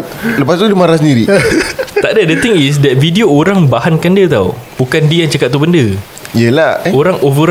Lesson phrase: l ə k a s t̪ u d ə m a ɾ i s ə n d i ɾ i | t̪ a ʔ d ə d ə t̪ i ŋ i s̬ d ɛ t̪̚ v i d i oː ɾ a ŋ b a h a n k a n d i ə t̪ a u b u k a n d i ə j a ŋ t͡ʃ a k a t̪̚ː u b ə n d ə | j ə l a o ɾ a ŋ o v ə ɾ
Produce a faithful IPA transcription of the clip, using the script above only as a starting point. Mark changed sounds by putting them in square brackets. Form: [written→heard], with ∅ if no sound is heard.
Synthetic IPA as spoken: l ə [k→p] a s t̪ u d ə m a ɾ [i→a] s ə n d i ɾ i | t̪ a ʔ d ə d ə t̪ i ŋ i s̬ d ɛ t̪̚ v i d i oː ɾ a ŋ b a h a n k a n d i ə t̪ a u b u k a n d i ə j a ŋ t͡ʃ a k a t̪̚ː u b ə n d ə | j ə l a o ɾ a ŋ o v ə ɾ